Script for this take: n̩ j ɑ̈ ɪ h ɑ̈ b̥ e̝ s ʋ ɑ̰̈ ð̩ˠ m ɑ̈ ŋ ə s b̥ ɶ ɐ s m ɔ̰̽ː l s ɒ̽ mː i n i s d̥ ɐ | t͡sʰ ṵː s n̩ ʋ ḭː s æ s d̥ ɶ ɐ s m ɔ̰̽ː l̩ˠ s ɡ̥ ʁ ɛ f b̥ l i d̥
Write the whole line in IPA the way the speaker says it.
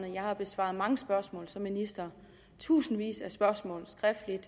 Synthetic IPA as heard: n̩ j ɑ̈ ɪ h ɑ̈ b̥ e̝ s ʋ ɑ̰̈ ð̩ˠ m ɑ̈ ŋ ə s b̥ ɶ ɐ s m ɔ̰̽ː l s ɒ̽ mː i n i s d̥ ɐ | t͡sʰ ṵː s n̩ ʋ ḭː s æ s b̥ ɶ ɐ s m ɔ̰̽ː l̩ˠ s ɡ̥ ʁ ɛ f d̥ l i d̥

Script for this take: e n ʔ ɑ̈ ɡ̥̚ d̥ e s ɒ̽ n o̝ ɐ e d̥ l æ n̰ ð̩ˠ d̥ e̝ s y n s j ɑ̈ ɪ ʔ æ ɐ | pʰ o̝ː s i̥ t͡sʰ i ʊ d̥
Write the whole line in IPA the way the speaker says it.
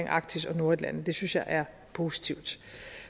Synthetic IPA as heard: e ŋ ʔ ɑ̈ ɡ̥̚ d̥ i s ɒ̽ n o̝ ɐ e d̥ l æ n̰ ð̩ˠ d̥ e̝ s y n s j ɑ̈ ɪ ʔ æ ɐ | pʰ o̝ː s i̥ t͡sʰ i ʊ d̥

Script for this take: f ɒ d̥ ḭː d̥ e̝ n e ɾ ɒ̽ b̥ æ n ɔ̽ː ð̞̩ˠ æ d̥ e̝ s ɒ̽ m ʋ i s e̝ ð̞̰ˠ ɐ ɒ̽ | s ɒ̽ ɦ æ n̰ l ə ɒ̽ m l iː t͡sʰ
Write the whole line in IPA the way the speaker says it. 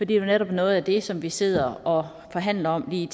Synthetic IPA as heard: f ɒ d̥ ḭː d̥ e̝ n e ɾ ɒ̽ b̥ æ n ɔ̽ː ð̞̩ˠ æ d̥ e̝ s ɒ̽ m ʋ i s e̝ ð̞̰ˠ ɐ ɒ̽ | f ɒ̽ ɦ æ n̰ l ɐ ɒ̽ m l iː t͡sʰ

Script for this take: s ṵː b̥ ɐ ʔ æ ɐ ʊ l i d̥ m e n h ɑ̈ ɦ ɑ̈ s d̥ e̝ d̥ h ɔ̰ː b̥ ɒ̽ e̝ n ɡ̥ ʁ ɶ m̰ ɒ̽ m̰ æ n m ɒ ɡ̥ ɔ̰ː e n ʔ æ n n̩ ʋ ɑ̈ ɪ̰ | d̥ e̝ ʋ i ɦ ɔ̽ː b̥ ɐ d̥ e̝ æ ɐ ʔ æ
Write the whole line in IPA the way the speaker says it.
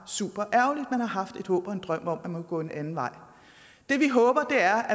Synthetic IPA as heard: s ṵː b̥ ɐ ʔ æ ɐ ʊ l i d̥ m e n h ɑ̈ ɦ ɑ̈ f d̥ e̝ d̥ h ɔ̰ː b̥ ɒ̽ e̝ n d̥ ʁ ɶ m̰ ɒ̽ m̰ æ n m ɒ ɡ̥ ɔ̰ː e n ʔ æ n n̩ ʋ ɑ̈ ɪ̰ | d̥ e̝ ʋ i ɦ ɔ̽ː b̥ ɐ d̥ e̝ æ ɐ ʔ æ

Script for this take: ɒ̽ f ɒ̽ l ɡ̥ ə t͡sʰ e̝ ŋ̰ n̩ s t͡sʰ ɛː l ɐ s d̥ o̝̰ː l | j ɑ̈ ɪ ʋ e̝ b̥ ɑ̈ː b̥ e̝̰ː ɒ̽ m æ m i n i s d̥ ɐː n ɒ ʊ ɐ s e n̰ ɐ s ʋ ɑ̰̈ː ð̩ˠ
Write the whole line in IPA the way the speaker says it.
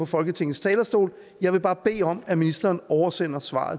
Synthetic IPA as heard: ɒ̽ f ɒ̽ l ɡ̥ ə t͡sʰ e̝ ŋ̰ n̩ s t͡sʰ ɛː l ɐ s d̥ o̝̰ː l | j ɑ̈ ɪ ʋ e̝ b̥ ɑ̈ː b̥ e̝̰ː ɒ̽ m æ m i n i s d̥ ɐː n ɒ ʊ ɐ s e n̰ ɐ s ʋ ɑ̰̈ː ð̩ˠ

